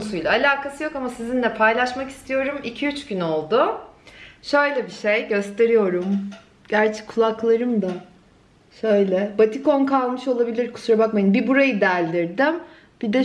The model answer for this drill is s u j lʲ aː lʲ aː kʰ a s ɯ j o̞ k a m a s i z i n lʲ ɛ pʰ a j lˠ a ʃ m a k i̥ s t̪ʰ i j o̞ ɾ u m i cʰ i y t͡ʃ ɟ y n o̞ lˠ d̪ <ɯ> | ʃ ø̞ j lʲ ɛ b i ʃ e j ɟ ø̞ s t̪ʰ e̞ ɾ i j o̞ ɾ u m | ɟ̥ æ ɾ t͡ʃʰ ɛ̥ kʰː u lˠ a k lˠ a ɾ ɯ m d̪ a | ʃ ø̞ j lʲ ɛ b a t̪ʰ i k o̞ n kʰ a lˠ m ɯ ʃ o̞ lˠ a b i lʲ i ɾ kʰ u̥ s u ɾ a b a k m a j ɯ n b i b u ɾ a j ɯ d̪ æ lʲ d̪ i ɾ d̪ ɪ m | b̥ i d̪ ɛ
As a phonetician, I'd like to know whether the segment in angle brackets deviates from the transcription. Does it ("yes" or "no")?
yes